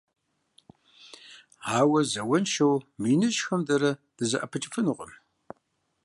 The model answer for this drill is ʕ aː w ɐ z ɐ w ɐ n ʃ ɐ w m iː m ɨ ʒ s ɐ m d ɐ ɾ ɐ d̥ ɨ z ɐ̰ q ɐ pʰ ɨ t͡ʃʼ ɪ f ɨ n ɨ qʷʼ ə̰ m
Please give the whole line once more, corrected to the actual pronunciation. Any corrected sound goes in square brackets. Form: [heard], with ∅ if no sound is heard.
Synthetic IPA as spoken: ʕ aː w ɐ z ɐ w ɐ n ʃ ɐ w m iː [n] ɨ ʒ [x] ɐ m d ɐ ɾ ɐ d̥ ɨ z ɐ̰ [ʔ] ɐ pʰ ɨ t͡ʃʼ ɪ f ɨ n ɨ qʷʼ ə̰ m

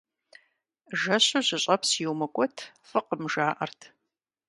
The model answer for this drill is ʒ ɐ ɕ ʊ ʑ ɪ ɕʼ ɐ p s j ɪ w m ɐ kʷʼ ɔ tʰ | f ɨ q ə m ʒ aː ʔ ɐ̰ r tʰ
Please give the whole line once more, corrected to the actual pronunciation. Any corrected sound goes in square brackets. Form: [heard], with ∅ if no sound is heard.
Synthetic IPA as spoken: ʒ ɐ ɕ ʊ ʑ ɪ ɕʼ ɐ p s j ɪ w m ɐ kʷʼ ɔ tʰ | f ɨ q ə m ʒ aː ʔ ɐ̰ r tʰ

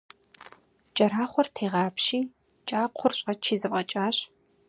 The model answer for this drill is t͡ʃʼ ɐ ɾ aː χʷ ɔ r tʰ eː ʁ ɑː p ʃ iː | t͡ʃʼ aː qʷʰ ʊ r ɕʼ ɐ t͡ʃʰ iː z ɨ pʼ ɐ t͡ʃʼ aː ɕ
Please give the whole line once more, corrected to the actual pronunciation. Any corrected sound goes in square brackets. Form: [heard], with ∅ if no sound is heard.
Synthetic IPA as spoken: t͡ʃʼ ɐ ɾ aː χʷ ɔ r tʰ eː ʁ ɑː p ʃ iː | t͡ʃʼ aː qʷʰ ʊ r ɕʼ ɐ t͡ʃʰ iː z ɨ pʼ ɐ t͡ʃʼ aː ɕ

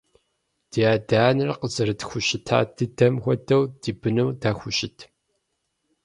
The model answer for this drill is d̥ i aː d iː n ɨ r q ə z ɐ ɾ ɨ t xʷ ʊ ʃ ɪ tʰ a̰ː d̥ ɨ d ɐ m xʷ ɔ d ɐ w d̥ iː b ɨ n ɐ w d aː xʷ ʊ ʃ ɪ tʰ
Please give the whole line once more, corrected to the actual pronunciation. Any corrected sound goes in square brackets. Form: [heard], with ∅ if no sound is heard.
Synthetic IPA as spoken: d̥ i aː d [aː] n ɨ r q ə z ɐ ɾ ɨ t xʷ ʊ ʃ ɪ tʰ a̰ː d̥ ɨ d ɐ m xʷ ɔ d ɐ w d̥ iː b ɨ n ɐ w d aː xʷ ʊ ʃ ɪ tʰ

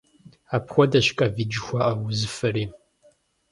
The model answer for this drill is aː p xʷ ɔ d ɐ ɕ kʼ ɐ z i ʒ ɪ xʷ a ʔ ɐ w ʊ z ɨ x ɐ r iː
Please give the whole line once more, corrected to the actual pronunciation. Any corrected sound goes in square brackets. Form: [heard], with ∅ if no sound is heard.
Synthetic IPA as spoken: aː p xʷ ɔ d ɐ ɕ kʼ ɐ [v] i [d͡ʒ] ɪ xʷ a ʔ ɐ w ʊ z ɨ [f] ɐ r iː

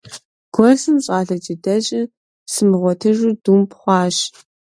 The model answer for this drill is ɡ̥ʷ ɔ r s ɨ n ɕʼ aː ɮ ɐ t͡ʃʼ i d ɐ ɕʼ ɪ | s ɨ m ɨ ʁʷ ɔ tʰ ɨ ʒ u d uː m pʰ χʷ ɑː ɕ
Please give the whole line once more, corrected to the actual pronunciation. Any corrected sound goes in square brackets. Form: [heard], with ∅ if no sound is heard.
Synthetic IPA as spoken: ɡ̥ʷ ɔ r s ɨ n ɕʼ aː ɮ ɐ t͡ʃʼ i d ɐ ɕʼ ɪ | s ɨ m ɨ ʁʷ ɔ tʰ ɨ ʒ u d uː m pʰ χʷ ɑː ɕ

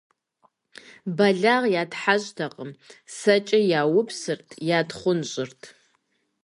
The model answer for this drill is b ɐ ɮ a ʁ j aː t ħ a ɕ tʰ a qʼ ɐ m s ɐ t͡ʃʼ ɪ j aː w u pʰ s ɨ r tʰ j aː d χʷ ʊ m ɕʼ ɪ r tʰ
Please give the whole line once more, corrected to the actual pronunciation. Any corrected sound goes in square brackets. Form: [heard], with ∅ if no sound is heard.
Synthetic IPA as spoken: b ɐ ɮ a ʁ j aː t ħ a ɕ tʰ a qʼ [ə] m s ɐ t͡ʃʼ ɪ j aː w [ʊ] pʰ s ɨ r tʰ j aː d χʷ ʊ [n] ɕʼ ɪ r tʰ

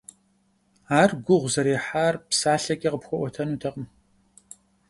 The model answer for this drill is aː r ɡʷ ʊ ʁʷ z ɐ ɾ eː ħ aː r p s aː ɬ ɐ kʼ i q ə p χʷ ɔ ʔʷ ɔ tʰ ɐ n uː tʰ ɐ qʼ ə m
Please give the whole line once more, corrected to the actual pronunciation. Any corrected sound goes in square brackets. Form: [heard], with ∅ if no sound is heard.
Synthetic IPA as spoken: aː r ɡʷ ʊ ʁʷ z ɐ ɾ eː ħ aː r p s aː ɬ ɐ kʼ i q ə p [xʷ] ɔ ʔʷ ɔ tʰ ɐ n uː tʰ ɐ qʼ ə m

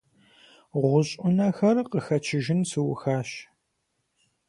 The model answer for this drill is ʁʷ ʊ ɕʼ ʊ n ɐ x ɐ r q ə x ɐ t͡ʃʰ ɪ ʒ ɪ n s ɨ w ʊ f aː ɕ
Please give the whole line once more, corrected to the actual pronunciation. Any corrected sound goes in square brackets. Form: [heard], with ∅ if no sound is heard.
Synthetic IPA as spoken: ʁʷ ʊ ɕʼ ʊ n ɐ x ɐ r q ə x ɐ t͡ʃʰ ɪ ʒ ɪ n s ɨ w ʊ [x] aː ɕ

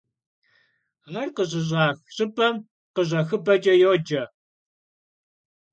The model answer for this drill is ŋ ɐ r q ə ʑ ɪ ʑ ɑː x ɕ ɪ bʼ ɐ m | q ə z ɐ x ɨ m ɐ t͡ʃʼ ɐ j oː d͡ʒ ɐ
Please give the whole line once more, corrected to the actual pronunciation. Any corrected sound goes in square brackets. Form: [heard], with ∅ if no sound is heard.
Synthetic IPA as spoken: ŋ ɐ r q ə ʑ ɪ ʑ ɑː x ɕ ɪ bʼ ɐ m | q ə [ʑ] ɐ x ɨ [b] ɐ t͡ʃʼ ɐ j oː d͡ʒ ɐ

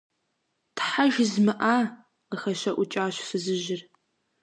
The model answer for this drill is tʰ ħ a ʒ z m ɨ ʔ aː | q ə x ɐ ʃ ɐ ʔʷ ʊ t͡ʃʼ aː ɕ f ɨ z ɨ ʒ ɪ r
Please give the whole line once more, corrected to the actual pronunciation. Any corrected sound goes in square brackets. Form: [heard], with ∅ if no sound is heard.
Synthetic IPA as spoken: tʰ ħ a ʒ z m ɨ ʔ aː | q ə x ɐ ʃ ɐ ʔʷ ʊ t͡ʃʼ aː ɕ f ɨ z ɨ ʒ ɪ r

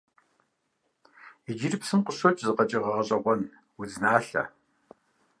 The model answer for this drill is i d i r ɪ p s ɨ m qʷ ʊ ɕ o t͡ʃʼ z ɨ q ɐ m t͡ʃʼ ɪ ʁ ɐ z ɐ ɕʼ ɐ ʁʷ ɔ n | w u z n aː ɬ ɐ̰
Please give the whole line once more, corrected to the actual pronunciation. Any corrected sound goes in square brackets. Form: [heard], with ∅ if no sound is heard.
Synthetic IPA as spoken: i [d͡ʒ] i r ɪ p s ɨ m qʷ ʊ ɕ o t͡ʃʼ z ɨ q ɐ [∅] t͡ʃʼ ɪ ʁ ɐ [ʁ] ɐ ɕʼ ɐ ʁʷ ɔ n | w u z n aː ɬ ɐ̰

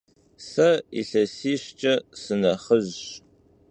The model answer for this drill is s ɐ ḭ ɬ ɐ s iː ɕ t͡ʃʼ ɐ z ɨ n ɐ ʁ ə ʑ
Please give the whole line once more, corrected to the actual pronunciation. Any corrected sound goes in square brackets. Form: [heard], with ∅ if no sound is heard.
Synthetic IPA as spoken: s ɐ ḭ ɬ ɐ s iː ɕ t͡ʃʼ ɐ [s] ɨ n ɐ [χ] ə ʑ

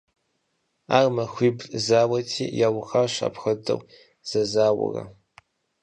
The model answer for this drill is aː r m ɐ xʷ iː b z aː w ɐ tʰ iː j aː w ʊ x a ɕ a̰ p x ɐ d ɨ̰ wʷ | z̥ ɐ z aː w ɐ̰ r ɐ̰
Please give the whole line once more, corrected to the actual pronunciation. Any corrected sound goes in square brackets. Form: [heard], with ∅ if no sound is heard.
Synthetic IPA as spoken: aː r m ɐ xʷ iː b z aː w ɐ tʰ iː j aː w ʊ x a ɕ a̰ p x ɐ d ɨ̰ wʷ | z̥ ɐ z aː w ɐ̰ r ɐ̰

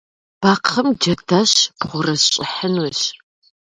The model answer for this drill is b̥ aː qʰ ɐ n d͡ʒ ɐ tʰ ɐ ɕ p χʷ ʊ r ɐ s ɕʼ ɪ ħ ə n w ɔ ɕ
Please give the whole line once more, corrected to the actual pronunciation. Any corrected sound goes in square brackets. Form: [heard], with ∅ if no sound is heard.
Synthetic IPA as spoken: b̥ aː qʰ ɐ [m] d͡ʒ ɐ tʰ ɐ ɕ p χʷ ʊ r ɐ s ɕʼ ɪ ħ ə n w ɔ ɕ

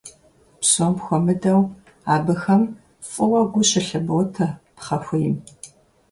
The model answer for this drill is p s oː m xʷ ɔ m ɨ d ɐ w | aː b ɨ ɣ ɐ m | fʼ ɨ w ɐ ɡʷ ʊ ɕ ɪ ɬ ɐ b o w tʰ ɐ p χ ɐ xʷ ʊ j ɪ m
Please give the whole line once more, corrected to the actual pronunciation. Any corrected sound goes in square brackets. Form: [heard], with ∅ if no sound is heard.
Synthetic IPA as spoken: p s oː m xʷ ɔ m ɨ d ɐ w | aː b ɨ [x] ɐ m | fʼ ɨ w ɐ ɡʷ ʊ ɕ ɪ ɬ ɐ b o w tʰ ɐ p χ ɐ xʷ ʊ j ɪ m

